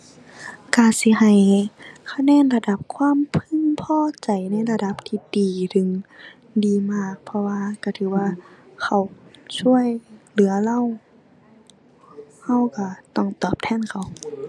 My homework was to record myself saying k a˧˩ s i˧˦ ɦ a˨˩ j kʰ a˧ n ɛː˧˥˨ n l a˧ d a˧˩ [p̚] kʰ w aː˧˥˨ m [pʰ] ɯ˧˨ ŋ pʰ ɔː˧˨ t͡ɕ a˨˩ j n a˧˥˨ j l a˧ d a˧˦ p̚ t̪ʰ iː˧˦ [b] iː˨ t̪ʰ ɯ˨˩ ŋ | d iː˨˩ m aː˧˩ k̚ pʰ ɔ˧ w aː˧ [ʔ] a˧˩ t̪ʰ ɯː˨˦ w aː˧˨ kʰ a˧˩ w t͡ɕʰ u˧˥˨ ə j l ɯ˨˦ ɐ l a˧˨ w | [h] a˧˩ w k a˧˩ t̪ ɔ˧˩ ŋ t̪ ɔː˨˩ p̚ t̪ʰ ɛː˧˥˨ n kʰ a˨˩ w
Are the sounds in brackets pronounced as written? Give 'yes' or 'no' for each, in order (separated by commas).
yes, yes, no, no, yes